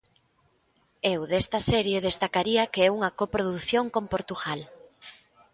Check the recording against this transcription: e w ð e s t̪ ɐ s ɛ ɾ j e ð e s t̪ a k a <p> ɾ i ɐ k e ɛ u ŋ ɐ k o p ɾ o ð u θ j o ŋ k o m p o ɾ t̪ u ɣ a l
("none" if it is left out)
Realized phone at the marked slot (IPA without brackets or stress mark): none